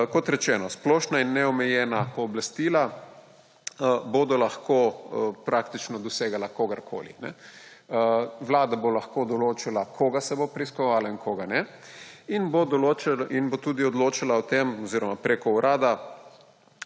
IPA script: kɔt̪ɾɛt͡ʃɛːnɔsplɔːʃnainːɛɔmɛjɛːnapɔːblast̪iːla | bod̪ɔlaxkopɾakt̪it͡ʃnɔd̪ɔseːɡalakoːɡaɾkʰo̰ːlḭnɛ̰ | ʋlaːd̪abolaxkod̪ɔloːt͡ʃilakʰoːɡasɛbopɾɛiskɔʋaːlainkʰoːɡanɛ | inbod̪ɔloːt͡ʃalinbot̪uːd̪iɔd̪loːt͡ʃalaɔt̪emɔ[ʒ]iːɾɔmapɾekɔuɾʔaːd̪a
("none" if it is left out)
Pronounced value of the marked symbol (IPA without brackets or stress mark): z